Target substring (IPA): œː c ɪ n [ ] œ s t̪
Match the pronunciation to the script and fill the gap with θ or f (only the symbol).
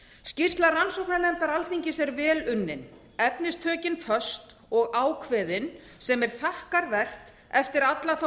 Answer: f